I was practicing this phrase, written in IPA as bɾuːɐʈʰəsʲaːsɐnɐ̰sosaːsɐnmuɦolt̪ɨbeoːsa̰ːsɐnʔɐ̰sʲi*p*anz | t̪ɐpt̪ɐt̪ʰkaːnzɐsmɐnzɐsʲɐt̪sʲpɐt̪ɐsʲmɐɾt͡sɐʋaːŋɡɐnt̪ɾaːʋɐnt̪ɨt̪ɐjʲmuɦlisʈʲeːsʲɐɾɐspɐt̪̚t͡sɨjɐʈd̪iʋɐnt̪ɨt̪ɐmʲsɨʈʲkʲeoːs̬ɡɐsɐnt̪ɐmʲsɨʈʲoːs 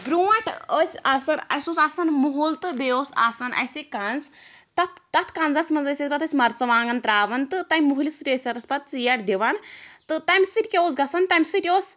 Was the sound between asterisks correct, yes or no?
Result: no